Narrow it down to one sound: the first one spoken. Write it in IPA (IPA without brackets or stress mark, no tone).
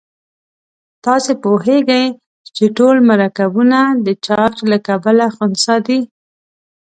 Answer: t̪